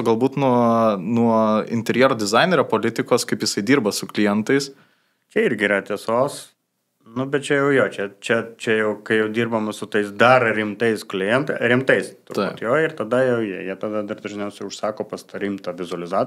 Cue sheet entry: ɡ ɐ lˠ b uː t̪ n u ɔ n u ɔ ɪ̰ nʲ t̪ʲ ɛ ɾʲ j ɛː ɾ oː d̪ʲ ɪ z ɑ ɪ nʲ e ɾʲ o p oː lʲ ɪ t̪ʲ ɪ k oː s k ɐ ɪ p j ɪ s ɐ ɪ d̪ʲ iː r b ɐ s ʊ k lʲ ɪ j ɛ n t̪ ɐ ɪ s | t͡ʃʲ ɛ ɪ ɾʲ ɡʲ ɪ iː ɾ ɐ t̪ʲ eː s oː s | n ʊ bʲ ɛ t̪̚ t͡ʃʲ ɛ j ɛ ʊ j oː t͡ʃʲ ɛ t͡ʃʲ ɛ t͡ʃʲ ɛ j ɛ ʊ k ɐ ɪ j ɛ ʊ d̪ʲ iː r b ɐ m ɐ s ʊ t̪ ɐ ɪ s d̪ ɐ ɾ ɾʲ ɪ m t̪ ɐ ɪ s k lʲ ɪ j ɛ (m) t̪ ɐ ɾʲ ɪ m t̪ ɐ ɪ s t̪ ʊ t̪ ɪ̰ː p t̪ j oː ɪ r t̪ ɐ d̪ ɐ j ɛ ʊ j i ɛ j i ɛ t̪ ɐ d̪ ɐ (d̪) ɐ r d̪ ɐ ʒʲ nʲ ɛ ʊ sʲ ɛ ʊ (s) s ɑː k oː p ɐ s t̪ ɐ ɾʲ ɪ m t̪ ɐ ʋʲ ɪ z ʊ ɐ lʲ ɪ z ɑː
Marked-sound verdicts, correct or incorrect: incorrect: n, correct, incorrect: ʃ

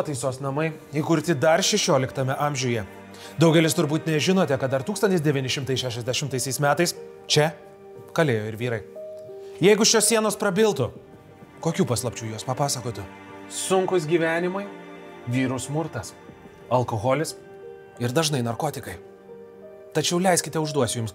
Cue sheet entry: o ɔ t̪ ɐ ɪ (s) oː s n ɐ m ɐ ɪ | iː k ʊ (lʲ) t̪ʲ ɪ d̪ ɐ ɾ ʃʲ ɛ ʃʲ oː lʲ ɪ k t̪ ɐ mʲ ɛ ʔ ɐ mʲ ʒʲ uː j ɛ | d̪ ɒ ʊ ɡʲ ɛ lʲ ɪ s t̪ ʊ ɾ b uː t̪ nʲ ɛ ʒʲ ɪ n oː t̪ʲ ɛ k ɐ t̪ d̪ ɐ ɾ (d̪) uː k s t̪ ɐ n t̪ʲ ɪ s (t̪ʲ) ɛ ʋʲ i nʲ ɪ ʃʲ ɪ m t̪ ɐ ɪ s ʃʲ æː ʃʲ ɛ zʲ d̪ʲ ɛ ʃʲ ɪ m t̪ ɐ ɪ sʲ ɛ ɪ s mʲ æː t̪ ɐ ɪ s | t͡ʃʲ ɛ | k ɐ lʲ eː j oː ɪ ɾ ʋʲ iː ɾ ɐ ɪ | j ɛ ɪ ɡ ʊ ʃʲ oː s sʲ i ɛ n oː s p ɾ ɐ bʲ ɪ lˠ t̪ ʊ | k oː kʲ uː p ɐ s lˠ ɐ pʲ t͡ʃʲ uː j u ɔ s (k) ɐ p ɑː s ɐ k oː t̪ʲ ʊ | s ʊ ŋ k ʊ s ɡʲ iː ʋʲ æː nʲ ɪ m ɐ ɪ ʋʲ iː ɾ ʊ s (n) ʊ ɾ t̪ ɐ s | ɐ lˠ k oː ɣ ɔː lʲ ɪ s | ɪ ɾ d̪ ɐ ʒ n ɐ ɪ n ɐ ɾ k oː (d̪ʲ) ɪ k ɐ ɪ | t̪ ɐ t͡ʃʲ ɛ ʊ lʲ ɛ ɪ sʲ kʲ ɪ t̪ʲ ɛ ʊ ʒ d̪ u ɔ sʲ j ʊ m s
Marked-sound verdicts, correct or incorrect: correct, incorrect: ɾʲ, incorrect: t̪, incorrect: d̪ʲ, incorrect: p, incorrect: m, incorrect: t̪ʲ

